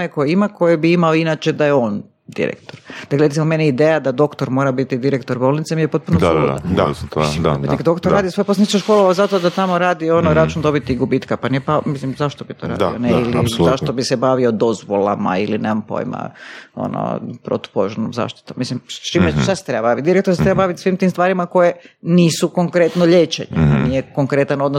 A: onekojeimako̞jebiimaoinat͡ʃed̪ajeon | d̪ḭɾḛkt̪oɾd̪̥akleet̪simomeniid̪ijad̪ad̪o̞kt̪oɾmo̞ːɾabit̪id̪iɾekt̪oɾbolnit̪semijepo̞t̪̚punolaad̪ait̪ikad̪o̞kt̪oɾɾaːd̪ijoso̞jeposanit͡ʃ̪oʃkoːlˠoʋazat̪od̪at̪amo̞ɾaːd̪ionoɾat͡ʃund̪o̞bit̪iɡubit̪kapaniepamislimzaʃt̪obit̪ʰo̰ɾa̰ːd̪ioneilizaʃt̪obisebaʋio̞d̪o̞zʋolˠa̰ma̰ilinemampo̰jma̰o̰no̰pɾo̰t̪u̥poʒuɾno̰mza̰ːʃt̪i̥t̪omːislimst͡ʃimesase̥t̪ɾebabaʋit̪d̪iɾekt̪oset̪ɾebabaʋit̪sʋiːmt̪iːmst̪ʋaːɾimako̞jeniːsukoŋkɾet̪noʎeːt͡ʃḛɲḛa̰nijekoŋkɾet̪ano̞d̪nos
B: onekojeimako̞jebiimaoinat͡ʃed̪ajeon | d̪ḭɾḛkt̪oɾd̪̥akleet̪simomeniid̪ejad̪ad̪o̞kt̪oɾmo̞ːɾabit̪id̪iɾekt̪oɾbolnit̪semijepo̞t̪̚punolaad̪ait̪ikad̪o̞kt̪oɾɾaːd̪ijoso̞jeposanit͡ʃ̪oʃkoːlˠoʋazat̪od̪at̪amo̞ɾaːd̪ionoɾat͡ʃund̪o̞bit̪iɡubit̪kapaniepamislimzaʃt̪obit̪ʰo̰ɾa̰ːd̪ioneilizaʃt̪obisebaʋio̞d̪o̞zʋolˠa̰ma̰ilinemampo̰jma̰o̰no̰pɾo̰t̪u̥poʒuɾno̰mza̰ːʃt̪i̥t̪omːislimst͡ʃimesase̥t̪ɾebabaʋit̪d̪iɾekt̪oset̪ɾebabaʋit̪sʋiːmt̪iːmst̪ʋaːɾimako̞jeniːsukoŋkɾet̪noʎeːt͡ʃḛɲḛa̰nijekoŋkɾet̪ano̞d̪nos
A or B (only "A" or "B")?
B